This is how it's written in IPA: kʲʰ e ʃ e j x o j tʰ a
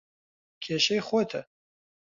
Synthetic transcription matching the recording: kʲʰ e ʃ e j χ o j tʰ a